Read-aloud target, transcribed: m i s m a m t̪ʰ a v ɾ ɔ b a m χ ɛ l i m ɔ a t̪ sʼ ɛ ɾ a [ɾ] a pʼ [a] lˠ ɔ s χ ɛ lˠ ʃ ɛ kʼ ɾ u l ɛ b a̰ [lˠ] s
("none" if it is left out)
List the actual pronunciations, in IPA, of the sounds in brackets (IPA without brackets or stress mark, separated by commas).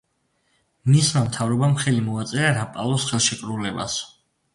ɾ, a, none